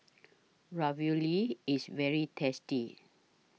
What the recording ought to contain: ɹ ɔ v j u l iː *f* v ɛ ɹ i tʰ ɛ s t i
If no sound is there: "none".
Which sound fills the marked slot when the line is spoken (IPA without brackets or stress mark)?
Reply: s